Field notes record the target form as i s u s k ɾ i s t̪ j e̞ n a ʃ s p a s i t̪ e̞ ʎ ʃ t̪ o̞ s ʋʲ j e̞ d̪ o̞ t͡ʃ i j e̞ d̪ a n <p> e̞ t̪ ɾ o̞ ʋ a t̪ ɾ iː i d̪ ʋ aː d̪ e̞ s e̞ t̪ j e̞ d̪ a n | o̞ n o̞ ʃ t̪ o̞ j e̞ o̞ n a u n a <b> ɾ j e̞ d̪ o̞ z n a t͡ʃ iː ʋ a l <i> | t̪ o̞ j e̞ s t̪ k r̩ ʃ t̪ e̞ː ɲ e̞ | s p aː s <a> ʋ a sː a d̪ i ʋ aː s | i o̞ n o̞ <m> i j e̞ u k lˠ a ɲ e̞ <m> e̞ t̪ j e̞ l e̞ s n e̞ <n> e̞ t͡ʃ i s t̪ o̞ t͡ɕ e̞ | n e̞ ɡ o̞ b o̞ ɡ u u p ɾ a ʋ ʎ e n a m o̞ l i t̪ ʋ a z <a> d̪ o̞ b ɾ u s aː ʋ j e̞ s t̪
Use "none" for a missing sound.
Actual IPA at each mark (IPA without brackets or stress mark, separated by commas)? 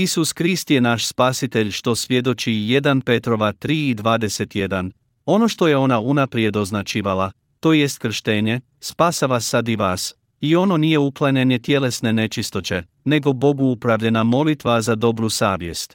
p, p, a, a, n, ɲ, n, a